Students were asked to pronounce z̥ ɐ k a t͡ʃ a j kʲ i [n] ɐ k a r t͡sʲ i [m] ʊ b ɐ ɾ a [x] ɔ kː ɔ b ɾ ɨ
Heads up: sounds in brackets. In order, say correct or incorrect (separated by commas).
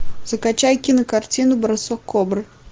correct, incorrect, incorrect